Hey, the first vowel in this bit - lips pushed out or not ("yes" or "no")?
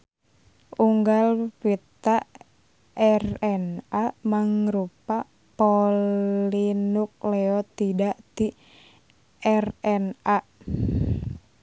yes